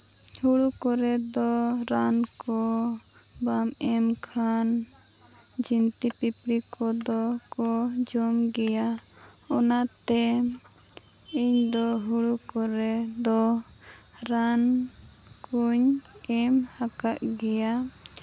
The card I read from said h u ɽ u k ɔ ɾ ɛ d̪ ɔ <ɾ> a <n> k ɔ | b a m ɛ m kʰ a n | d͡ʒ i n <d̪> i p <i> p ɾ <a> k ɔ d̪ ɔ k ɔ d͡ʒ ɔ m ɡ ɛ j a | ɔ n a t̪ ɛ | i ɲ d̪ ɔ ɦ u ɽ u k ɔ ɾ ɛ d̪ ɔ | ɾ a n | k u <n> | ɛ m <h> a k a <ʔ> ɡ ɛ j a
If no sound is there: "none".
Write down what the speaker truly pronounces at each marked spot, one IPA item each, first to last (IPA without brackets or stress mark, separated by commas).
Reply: ɾ, n, t̪, i, i, ɲ, h, ʔ